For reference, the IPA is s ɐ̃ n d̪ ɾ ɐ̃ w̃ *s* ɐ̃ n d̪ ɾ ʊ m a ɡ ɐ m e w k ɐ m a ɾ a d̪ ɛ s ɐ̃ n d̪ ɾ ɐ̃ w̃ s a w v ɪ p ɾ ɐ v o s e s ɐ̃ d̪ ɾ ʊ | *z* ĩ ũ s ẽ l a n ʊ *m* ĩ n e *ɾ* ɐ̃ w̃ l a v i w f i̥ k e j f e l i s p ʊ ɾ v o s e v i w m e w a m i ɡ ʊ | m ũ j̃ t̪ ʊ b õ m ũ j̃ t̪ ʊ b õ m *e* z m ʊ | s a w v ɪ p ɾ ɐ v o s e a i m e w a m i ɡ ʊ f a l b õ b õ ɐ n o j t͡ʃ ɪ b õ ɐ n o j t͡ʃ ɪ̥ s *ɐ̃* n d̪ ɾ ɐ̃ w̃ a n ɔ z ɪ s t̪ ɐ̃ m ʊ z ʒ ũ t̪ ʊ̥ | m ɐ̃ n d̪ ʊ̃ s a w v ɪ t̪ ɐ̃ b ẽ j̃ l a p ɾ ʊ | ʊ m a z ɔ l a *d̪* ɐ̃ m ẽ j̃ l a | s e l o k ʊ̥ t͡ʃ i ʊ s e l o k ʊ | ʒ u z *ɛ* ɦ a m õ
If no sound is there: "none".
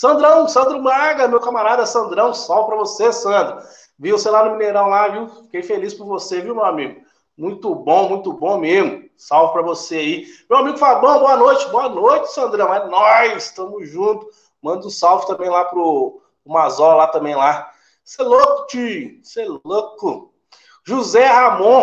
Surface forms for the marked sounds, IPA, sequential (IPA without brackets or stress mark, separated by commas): s, v, m, ɾ, e, ɐ̃, t̪, ɛ